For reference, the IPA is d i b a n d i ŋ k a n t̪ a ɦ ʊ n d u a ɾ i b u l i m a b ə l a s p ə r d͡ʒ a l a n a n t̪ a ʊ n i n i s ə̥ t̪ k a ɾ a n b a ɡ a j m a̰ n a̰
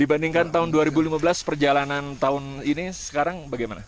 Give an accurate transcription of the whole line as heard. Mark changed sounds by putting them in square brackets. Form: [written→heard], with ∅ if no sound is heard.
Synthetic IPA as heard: d i b a n d i ŋ k a n t̪ a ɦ ʊ n d u a ɾ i b u l i m a b ə l a s p ə r d͡ʒ a l a n a n t̪ a ʊ n i n i s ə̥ [t̪→∅] k a ɾ a [n→ŋ] b a ɡ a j m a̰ n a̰